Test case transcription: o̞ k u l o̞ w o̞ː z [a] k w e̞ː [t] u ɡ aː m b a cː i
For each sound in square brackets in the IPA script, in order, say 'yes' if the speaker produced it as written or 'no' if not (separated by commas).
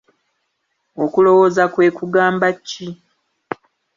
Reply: yes, no